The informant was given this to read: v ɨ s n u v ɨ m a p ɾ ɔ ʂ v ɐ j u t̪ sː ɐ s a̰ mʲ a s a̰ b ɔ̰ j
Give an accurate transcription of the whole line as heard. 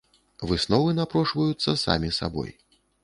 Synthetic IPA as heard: v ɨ s n ɔ v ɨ n a p ɾ ɔ ʂ v ɐ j u t̪ sː ɐ s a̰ mʲ i s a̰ b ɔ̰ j

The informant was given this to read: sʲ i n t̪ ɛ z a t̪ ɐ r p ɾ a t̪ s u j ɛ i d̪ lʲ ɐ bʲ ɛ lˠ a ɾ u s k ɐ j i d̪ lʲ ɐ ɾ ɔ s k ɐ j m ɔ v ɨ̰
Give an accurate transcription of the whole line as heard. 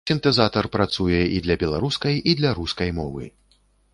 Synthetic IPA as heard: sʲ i n t̪ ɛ z a t̪ ɐ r p ɾ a t̪ s u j ɛ i d̪ lʲ ɐ bʲ ɛ lˠ a ɾ u s k ɐ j i d̪ lʲ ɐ ɾ u s k ɐ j m ɔ v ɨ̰

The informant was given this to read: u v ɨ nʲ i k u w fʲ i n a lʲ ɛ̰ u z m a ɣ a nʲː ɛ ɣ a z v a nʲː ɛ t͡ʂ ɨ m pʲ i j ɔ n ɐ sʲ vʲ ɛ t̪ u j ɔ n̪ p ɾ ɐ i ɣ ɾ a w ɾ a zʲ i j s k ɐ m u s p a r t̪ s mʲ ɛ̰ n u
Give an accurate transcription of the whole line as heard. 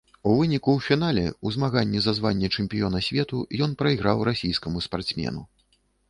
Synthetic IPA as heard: u v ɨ nʲ i k u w fʲ i n a lʲ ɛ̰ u z m a ɣ a nʲː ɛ z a z v a nʲː ɛ t͡ʂ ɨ m pʲ i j ɔ n ɐ sʲ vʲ ɛ t̪ u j ɔ n̪ p ɾ ɐ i ɣ ɾ a w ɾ a sʲ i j s k ɐ m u s p a r t̪ s mʲ ɛ̰ n u

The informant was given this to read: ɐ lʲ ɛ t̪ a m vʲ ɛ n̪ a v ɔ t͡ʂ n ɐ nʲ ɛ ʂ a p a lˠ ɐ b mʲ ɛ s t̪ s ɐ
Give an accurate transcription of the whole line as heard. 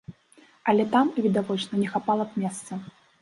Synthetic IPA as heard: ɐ lʲ ɛ t̪ a m vʲ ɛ d̪ a v ɔ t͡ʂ n ɐ nʲ ɛ x a p a lˠ ɐ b mʲ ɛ s t̪ s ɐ

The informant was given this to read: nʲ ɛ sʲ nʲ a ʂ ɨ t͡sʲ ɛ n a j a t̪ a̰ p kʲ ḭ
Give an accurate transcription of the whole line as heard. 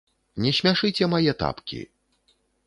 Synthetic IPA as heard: nʲ ɛ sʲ mʲ a ʂ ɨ t͡sʲ ɛ m a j ɛ t̪ a̰ p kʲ ḭ

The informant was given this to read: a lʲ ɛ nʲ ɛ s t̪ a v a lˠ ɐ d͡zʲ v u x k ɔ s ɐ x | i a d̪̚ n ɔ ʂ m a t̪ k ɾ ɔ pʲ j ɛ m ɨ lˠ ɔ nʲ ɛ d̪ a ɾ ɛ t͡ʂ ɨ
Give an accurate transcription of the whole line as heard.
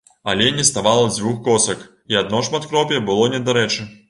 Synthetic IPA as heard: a lʲ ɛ nʲ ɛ s t̪ a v a lˠ ɐ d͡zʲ v u x k ɔ s ɐ k | i a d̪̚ n ɔ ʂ m a t̪ k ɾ ɔ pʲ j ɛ b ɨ lˠ ɔ nʲ ɛ d̪ a ɾ ɛ t͡ʂ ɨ

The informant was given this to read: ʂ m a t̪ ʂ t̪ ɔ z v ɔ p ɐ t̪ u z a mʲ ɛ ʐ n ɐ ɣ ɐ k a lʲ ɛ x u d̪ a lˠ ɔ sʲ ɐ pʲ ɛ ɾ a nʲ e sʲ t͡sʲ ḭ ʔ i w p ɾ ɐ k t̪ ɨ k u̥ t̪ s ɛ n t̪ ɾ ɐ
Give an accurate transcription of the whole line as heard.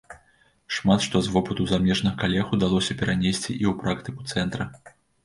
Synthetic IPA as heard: ʂ m a t̪ ʂ t̪ ɔ z v ɔ p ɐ t̪ u z a mʲ ɛ ʐ n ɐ ɣ ɐ k a lʲ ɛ x u d̪ a lˠ ɔ sʲ ɐ pʲ ɛ ɾ a nʲ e sʲ t͡sʲ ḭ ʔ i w p ɾ a k t̪ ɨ k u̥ t̪ s ɛ n t̪ ɾ ɐ

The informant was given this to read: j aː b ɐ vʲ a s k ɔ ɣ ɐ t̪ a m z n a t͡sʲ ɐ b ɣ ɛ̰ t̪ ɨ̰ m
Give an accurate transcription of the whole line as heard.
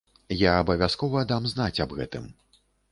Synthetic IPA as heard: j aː b ɐ vʲ a s k ɔ v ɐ d̪ a m z n a t͡sʲ ɐ b ɣ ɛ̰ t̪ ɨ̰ m

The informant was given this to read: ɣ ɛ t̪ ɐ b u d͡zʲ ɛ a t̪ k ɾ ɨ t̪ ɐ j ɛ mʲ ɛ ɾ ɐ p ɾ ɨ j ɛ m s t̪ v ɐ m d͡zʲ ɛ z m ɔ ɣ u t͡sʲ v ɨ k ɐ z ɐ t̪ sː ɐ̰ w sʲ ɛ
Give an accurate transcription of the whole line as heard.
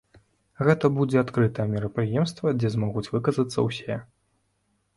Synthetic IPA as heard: ɣ ɛ t̪ ɐ b u d͡zʲ ɛ a t̪ k ɾ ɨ t̪ ɐ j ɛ mʲ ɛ ɾ ɐ p ɾ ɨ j ɛ m s t̪ v ɐ d͡zʲ ɛ z m ɔ ɣ u t͡sʲ v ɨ k ɐ z ɐ t̪ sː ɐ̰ w sʲ ɛ

